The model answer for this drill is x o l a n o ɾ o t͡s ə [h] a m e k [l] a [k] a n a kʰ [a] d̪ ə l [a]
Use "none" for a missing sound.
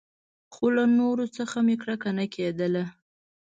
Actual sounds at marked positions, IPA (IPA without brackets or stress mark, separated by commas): x, ɽ, k, e, a